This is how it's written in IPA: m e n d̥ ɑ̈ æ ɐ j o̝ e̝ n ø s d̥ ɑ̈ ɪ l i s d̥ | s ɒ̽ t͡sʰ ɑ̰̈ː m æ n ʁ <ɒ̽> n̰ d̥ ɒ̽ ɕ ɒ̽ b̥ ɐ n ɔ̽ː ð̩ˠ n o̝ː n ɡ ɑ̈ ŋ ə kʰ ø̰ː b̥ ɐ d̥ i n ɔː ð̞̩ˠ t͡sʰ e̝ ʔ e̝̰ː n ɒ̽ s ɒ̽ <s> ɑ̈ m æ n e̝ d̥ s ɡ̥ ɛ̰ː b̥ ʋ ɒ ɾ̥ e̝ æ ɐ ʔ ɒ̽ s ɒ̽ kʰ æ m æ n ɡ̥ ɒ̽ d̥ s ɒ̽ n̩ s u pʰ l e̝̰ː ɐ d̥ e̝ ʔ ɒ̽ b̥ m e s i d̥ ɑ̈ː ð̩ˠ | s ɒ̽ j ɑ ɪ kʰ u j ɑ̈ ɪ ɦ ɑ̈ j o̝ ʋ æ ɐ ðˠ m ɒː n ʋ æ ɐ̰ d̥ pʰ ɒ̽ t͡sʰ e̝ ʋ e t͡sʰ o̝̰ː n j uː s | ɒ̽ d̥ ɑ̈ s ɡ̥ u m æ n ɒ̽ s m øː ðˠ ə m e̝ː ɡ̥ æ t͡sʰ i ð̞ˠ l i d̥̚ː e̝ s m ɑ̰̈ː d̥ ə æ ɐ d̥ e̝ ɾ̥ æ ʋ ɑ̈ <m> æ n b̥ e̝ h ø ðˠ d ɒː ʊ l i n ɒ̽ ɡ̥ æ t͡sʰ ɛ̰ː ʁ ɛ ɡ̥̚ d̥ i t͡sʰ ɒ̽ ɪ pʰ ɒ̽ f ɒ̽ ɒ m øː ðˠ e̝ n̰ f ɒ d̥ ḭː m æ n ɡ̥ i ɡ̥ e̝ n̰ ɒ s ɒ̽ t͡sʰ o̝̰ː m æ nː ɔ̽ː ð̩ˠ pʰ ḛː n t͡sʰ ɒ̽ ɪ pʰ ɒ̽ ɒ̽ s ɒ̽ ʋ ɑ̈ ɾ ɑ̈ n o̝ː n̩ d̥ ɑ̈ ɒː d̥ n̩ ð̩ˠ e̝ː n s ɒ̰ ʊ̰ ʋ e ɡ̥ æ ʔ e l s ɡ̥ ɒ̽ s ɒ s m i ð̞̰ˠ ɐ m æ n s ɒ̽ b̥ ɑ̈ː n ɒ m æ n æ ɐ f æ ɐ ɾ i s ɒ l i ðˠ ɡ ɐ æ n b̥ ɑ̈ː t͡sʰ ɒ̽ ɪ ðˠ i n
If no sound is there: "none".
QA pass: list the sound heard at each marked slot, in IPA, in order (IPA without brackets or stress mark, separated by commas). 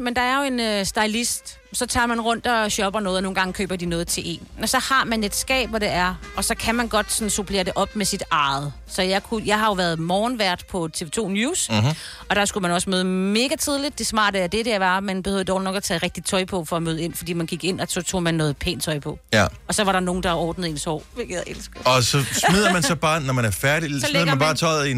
ɔ̽, h, m